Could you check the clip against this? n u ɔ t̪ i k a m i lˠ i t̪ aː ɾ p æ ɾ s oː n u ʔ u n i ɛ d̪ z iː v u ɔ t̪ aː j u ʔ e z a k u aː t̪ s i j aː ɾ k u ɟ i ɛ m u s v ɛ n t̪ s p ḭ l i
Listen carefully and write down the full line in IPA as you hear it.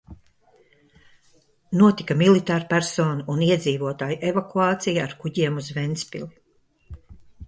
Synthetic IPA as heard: n u ɔ t̪ i k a m i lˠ i t̪ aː ɾ p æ ɾ s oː n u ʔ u n i ɛ d̪ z iː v u ɔ t̪ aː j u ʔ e v a k u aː t̪ s i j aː ɾ k u ɟ i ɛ m u z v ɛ n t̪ s p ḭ l i